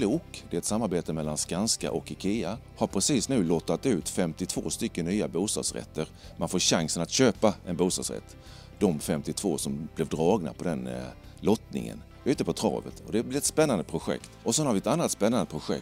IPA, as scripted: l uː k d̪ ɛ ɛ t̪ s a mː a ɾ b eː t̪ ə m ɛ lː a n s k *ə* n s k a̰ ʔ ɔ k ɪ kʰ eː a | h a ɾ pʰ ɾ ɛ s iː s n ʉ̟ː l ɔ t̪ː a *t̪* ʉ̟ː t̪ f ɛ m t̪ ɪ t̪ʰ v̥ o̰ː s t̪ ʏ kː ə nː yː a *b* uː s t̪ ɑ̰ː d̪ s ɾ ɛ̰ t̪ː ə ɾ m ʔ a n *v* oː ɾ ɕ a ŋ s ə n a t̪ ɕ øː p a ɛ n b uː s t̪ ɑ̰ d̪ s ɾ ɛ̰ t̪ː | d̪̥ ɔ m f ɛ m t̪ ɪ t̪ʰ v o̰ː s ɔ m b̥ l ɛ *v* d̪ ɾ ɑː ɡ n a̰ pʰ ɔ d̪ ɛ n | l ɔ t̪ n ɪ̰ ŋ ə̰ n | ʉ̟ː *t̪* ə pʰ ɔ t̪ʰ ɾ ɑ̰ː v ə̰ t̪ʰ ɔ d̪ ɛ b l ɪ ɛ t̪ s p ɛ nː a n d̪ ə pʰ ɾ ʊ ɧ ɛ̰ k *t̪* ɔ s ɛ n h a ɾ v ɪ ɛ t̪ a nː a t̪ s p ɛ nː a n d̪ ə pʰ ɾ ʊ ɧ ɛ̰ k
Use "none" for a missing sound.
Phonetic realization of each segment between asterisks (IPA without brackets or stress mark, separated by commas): a, t̪, b, f, v, t̪, t̪